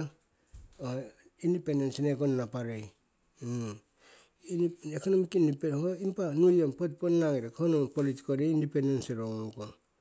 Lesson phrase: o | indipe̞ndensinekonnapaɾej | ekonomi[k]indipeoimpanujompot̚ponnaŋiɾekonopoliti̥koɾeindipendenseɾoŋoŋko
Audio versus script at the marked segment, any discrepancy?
no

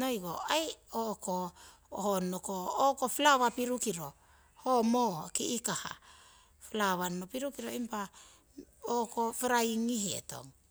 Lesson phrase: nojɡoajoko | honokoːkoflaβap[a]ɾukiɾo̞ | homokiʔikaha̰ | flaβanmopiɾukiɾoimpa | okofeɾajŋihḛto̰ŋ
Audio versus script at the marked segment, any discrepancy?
yes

